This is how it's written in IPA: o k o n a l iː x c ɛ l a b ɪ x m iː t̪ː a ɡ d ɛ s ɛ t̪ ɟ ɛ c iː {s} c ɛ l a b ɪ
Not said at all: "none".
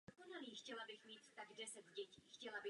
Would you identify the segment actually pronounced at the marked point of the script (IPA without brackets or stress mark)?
x